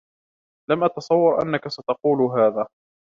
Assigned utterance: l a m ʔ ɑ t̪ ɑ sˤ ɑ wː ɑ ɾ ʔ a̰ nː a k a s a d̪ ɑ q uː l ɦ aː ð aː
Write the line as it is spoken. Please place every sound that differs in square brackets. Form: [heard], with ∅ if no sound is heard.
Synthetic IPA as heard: l a m ʔ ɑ t̪ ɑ sˤ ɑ wː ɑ ɾ ʔ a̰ nː a k a s a [t̪] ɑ q uː l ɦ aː ð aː